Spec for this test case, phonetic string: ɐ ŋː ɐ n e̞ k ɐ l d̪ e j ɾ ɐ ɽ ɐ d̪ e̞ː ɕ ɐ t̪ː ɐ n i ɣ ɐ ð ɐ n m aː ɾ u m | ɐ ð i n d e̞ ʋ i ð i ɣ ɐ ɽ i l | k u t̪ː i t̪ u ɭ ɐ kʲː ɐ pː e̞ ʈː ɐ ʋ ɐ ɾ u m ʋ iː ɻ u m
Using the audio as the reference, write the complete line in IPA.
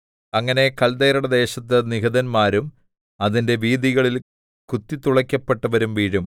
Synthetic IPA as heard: ɐ ŋː ɐ n e̞ k ɐ l d̪ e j ɾ ɐ ɽ ɐ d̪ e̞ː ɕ ɐ t̪ː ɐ n i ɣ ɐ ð ɐ n m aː ɾ u m | ɐ ð i n d e̞ ʋ iː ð i ɣ ɐ ɭ i l | k u t̪ː i t̪ u ɭ ɐ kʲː ɐ pː e̞ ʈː ɐ ʋ ɐ ɾ u m ʋ iː ɻ u m

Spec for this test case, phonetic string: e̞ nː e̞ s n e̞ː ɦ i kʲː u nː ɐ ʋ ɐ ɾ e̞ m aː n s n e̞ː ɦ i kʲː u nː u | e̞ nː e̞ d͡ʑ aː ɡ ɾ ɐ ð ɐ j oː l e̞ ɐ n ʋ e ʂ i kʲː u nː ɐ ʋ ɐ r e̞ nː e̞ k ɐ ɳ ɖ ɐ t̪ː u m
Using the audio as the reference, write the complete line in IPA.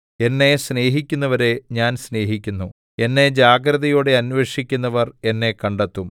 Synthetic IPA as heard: e̞ nː e̞ s n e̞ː ɦ i kʲː u nː ɐ ʋ ɐ ɾ e̞ ɲ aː n s n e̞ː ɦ i kʲː u nː u | e̞ nː e̞ d͡ʑ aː ɡ ɾ ɐ ð ɐ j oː ɽ e̞ ɐ n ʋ e ʂ i kʲː u nː ɐ ʋ ɐ r e̞ nː e̞ k ɐ ɳ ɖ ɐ t̪ː u m

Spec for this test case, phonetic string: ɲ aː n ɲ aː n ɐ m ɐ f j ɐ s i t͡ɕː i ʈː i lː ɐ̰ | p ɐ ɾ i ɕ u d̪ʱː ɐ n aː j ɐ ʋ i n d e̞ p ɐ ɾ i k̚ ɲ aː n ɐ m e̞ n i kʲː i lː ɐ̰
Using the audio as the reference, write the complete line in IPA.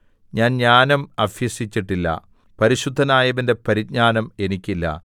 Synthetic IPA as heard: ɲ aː n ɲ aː n ɐ m ɐ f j ɐ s i t͡ɕː i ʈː i lː ɐ̰ | p ɐ ɾ i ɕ u d̪ʱː ɐ n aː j ɐ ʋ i n d e̞ p ɐ ɾ i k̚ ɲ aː n ɐ m e̞ n i kʲː i lː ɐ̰

